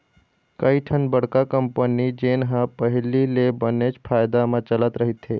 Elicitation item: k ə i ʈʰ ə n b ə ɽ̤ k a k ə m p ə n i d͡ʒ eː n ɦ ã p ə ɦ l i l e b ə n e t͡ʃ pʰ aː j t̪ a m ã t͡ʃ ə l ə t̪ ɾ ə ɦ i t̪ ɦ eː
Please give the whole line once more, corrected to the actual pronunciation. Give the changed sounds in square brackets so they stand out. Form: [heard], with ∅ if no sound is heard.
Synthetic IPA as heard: k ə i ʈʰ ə n b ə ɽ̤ k a k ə m p ə n i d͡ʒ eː n ɦ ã p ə ɦ l i l e b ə n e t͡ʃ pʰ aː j [d̪] a m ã t͡ʃ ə l ə t̪ ɾ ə ɦ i t̪ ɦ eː